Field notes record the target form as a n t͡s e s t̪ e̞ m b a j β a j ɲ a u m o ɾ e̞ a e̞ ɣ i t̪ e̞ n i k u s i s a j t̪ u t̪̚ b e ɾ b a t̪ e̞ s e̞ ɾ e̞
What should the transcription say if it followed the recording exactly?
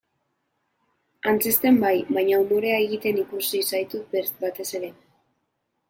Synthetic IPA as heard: a n t͡s e s t̪ e̞ m b a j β a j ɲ a u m o ɾ e̞ a e̞ ɣ i t̪ e̞ n i k u s i s a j t̪ u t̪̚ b e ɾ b a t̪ e̞ s e̞ ɾ e̞